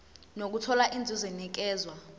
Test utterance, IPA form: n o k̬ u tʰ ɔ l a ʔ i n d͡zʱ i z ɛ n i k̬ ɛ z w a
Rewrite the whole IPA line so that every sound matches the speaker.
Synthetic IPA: n o k̬ u tʰ ɔ l a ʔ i n d͡zʱ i z ɛ n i k̬ ɛː z w a